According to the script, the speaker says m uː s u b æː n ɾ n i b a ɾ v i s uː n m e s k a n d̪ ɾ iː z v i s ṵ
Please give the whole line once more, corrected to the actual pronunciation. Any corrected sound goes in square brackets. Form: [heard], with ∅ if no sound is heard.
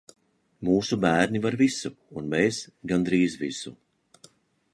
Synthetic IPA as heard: m uː s u b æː [∅] ɾ n i [v] a ɾ v i s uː n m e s [ɡ] a n d̪ ɾ iː z v i s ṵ

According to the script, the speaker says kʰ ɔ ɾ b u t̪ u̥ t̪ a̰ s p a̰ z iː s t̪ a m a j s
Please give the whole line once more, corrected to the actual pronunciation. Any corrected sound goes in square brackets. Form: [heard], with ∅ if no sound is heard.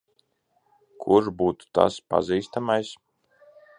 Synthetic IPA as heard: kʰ [u] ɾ b [uː] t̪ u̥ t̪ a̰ s p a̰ z iː s t̪ a m a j s

